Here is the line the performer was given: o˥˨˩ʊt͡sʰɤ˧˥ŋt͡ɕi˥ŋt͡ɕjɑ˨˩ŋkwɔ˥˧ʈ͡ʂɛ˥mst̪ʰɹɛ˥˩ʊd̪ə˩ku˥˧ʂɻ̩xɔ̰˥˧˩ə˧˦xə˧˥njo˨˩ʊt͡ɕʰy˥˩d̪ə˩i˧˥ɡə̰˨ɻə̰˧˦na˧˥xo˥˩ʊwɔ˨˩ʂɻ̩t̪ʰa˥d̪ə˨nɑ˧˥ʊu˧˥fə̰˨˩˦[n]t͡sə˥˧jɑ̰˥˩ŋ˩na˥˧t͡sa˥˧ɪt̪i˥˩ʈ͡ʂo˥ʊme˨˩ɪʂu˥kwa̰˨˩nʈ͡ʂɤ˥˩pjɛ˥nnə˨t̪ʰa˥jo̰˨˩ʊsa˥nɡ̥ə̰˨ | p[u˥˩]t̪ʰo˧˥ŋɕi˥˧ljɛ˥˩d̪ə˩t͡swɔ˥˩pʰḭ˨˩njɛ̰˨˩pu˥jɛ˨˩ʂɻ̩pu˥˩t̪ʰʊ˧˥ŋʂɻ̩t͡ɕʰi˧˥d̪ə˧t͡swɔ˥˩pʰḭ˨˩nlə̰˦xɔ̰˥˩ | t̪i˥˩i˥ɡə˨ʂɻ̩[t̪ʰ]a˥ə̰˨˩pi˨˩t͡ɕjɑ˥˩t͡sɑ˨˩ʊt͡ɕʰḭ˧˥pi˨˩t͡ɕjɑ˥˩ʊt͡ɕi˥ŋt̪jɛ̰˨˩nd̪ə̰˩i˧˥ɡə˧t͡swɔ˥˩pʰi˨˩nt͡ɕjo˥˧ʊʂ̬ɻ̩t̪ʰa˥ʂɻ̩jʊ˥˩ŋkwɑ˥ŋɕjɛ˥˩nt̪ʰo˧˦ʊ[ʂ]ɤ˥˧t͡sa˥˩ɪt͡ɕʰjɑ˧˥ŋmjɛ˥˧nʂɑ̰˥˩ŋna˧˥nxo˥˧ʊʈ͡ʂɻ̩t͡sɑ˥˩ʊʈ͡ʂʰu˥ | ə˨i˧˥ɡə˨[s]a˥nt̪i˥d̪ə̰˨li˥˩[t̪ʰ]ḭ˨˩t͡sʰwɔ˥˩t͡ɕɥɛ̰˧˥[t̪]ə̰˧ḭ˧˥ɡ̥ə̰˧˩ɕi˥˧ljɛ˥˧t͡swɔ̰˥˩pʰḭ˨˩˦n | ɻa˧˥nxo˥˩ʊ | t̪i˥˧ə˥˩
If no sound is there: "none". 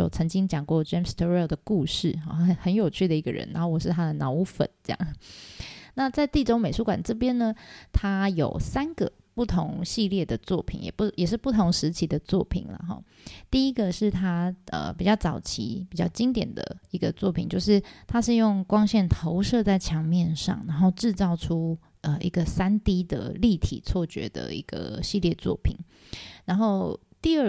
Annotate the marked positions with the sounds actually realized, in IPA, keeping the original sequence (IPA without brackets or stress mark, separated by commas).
n, u˥˩, t̪ʰ, ʂ, s, t̪ʰ, d̪